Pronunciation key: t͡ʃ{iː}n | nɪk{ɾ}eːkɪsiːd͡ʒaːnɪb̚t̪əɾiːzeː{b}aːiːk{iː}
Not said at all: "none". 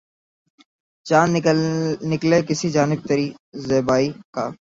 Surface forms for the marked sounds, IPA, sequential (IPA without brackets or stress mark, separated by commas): aː, l, b, aː